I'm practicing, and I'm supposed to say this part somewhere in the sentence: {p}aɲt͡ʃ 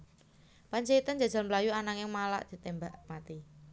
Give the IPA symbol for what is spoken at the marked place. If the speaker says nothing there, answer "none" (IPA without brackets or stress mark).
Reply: p